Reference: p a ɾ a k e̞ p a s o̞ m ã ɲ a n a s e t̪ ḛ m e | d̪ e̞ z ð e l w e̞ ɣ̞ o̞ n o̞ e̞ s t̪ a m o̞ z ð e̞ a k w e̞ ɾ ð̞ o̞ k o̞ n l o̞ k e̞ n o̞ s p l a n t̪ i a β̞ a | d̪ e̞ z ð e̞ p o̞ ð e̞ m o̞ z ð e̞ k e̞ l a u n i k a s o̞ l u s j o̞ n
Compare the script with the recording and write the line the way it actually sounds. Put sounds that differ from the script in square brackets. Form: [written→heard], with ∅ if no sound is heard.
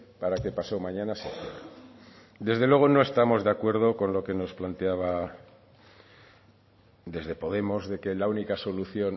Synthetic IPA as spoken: p a ɾ a k e̞ p a s o̞ m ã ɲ a n a s e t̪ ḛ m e | d̪ e̞ z ð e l w e̞ ɣ̞ o̞ n o̞ e̞ s t̪ a m o̞ z ð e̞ a k w e̞ ɾ ð̞ o̞ k o̞ n l o̞ k e̞ n o̞ s p l a n t̪ [i→e] a β̞ a | d̪ e̞ z ð e̞ p o̞ ð e̞ m o̞ z ð e̞ k e̞ l a u n i k a s o̞ l u [s→θ] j o̞ n

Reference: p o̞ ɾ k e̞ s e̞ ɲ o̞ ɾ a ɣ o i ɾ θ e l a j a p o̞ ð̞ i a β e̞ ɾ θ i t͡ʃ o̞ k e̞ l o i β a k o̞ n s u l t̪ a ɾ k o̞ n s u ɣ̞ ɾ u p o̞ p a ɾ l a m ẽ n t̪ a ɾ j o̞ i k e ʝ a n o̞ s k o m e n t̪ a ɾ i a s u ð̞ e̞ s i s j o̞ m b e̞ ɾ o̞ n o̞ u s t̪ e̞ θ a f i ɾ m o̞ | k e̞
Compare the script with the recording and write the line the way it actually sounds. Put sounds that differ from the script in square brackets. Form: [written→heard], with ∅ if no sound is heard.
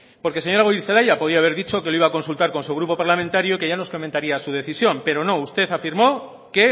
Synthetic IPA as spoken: p o̞ ɾ k e̞ s e̞ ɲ o̞ ɾ a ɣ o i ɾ θ e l a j a p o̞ ð̞ i a β e̞ ɾ [θ→ð] i t͡ʃ o̞ k e̞ l o i β a k o̞ n s u l t̪ a ɾ k o̞ n s u ɣ̞ ɾ u p o̞ p a ɾ l a m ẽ n t̪ a ɾ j o̞ i k e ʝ a n o̞ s k o m e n t̪ a ɾ i a s u ð̞ e̞ [s→θ] i s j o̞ m [b→p] e̞ ɾ o̞ n o̞ u s t̪ e̞ θ a f i ɾ m o̞ | k e̞

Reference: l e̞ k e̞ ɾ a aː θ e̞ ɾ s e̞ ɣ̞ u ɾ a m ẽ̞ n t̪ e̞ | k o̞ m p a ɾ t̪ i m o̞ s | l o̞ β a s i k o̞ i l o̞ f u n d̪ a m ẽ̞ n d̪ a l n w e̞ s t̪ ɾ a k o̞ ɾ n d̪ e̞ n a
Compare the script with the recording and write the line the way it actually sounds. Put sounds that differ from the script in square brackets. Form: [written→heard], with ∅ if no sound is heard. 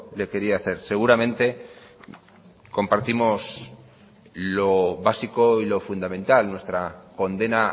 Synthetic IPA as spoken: l e̞ k e̞ ɾ [a→i] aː θ e̞ ɾ s e̞ ɣ̞ u ɾ a m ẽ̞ n t̪ e̞ | k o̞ m p a ɾ t̪ i m o̞ s | l o̞ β a s i k o̞ i l o̞ f u n d̪ a m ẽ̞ n [d̪→t̪] a l n w e̞ s t̪ ɾ a k o̞ [ɾ→∅] n d̪ e̞ n a

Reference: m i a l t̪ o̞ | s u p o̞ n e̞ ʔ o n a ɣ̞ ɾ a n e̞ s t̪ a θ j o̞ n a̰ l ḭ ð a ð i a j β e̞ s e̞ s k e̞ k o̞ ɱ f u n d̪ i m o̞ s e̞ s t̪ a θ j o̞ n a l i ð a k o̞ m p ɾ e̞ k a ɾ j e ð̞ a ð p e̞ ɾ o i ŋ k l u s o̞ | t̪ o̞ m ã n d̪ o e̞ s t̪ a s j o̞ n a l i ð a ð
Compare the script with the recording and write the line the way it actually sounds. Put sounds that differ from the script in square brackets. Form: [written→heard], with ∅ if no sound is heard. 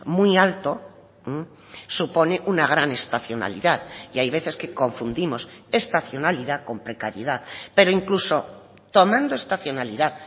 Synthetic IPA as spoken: m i a l t̪ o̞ | s u p o̞ n e̞ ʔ [o→u] n a ɣ̞ ɾ a n e̞ s t̪ a θ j o̞ n a̰ l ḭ ð a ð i a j β e̞ [s→θ] e̞ s k e̞ k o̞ ɱ f u n d̪ i m o̞ s e̞ s t̪ a θ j o̞ n a l i ð a k o̞ m p ɾ e̞ k a ɾ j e ð̞ a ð p e̞ ɾ o i ŋ k l u s o̞ | t̪ o̞ m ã n d̪ o e̞ s t̪ a [s→θ] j o̞ n a l i ð a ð

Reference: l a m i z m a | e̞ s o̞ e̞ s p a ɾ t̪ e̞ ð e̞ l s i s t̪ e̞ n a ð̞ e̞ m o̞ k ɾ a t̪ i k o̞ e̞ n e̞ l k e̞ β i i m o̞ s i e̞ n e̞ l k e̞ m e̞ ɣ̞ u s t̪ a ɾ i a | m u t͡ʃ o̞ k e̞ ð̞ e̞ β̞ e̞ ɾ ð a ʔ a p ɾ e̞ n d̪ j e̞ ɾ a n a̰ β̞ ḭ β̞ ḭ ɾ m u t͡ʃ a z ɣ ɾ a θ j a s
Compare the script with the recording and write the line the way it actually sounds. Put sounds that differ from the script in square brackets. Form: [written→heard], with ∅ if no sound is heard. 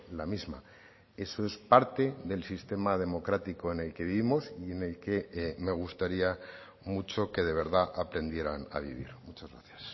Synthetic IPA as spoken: l a m i z m a | e̞ s o̞ e̞ s p a ɾ t̪ e̞ ð e̞ l s i s t̪ e̞ [n→m] a ð̞ e̞ m o̞ k ɾ a t̪ i k o̞ e̞ n e̞ l k e̞ β i i m o̞ s i e̞ n e̞ l k e̞ m e̞ ɣ̞ u s t̪ a ɾ i a | m u t͡ʃ o̞ k e̞ ð̞ e̞ β̞ e̞ ɾ ð a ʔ a p ɾ e̞ n d̪ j e̞ ɾ a n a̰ β̞ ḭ β̞ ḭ ɾ m u t͡ʃ a z ɣ ɾ a θ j a s

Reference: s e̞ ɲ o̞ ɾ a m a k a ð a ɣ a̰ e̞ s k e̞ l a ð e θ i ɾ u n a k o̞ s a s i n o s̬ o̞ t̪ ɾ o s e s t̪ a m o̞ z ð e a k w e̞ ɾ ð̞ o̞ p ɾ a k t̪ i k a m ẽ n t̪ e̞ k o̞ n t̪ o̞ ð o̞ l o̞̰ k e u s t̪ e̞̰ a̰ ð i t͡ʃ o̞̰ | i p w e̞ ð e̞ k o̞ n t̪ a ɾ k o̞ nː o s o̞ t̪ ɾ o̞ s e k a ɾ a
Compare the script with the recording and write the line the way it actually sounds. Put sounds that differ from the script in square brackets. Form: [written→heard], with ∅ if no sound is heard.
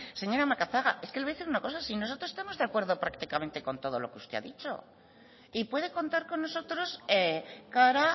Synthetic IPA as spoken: s e̞ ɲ o̞ ɾ a m a k a [ð→θ] a ɣ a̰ e̞ s k e̞ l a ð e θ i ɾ u n a k o̞ s a s i n o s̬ o̞ t̪ ɾ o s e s t̪ a m o̞ z ð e a k w e̞ ɾ ð̞ o̞ p ɾ a k t̪ i k a m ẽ n t̪ e̞ k o̞ n t̪ o̞ ð o̞ l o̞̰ k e u s t̪ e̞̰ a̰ ð i t͡ʃ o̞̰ | i p w e̞ ð e̞ k o̞ n t̪ a ɾ k o̞ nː o s o̞ t̪ ɾ o̞ s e k a ɾ a

